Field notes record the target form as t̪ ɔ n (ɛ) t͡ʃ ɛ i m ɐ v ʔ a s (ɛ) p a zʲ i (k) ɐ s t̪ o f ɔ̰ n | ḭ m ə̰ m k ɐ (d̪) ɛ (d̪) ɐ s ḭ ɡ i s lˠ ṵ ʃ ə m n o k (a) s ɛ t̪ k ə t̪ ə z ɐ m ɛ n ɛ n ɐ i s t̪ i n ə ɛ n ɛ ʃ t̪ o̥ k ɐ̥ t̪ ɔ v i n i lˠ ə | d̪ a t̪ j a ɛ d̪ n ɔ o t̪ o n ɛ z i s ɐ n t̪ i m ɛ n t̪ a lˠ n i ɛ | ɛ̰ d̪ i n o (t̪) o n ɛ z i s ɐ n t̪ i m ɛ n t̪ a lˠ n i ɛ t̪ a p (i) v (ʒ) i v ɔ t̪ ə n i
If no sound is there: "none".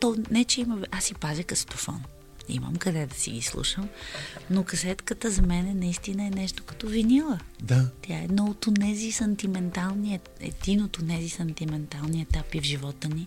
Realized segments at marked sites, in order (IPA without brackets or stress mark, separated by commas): ɛ, i, k, d̪, d̪, ɐ, t̪, i, ʒ